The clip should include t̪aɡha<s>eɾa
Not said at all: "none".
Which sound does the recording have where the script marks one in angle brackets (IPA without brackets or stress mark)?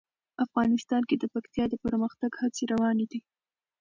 t͡s